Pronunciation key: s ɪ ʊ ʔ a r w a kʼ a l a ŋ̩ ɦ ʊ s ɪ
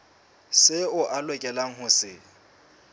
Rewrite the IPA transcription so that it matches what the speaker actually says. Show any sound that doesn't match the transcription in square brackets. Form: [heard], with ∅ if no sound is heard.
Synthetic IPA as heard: s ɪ ʊ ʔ a [l] w [ɛ] kʼ [ɛ] l a ŋ̩ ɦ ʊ s ɪ